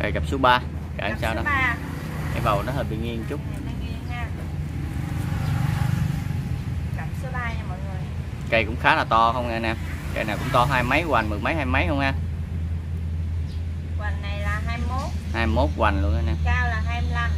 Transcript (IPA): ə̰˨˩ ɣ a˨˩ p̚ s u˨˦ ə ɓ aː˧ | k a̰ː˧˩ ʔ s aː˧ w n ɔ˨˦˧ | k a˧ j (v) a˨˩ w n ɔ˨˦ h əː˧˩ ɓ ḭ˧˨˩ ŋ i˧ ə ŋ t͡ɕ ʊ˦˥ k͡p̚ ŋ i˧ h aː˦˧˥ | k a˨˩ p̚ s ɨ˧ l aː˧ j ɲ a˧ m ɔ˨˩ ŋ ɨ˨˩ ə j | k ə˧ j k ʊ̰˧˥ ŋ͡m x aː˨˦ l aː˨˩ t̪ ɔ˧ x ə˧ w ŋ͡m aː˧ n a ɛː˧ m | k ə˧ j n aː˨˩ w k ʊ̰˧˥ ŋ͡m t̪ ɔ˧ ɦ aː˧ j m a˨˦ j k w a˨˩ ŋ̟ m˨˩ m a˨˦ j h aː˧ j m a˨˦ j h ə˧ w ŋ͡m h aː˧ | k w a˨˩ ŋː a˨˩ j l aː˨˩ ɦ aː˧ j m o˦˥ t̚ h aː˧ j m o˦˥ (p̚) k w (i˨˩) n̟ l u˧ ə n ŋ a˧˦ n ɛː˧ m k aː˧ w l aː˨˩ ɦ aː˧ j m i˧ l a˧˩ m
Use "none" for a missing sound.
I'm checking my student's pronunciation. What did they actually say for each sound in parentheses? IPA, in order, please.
v, t̚, a˨˩

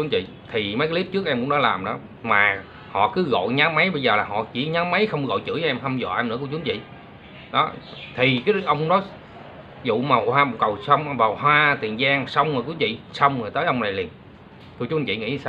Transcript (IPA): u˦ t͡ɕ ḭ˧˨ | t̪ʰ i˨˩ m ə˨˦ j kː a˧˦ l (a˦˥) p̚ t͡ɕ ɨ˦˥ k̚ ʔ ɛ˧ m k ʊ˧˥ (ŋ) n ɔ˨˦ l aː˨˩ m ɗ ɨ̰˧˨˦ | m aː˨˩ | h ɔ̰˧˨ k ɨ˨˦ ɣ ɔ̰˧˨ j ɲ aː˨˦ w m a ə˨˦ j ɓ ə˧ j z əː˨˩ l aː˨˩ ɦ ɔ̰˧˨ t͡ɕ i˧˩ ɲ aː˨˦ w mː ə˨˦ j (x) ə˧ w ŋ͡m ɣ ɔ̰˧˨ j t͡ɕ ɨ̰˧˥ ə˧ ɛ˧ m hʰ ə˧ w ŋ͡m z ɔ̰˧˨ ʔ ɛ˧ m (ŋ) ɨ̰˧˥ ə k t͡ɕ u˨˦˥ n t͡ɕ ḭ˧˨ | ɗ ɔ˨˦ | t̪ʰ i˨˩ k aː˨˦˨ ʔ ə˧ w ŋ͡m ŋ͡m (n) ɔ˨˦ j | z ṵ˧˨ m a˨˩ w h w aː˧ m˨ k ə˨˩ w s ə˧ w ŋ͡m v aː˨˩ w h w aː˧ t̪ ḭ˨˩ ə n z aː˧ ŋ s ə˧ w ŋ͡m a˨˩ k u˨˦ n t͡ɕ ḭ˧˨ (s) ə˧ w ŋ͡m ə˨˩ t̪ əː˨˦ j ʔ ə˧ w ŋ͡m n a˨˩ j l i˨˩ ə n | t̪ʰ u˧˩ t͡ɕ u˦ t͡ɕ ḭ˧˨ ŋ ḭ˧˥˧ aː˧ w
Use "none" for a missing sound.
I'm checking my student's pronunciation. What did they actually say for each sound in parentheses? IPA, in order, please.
i˦˥, ŋ͡m, x, n, n, s

